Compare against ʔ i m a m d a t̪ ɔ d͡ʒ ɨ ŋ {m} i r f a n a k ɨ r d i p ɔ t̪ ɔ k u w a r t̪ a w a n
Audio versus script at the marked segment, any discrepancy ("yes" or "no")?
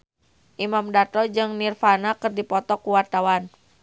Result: yes